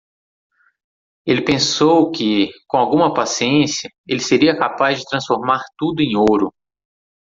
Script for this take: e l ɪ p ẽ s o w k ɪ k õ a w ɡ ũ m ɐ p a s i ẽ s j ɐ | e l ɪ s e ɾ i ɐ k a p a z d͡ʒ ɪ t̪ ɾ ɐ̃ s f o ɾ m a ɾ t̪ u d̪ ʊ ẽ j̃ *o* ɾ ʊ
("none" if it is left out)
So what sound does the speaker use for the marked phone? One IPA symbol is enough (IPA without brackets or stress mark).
o